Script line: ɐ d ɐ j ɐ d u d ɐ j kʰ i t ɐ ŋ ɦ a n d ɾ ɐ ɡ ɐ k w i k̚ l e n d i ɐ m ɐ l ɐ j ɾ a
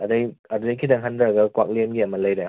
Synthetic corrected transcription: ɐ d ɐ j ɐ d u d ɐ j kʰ i d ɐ ŋ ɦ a n d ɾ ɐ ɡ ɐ k w a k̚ l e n ɡ i ɐ m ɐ l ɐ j ɾ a